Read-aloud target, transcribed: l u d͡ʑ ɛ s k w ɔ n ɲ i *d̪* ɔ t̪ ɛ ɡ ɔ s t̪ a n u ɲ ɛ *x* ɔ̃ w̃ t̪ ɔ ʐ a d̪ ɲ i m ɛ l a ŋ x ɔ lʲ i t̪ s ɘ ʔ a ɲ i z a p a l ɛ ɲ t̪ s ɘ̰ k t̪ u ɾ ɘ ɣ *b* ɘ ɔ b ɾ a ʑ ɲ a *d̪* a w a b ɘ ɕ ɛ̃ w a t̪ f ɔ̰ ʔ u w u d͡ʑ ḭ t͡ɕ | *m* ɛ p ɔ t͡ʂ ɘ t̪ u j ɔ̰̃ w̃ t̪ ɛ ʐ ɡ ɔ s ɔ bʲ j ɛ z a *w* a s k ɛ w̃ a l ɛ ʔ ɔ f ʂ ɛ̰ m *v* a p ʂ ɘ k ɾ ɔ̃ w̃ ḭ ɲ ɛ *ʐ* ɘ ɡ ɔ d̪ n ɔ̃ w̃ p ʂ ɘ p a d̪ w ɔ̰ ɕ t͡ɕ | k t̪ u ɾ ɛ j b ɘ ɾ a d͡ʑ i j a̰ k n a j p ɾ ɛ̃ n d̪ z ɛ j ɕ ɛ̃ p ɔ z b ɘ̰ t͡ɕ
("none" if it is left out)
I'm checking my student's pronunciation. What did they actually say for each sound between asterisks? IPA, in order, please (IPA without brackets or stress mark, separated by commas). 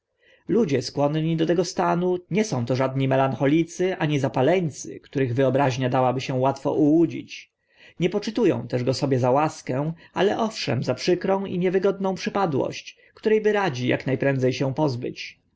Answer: d̪, s, v, d̪, ɲ, w, z, v